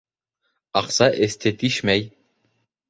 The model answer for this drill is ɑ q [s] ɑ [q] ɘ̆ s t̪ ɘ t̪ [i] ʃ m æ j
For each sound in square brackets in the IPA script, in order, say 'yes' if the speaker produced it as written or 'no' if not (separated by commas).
yes, no, yes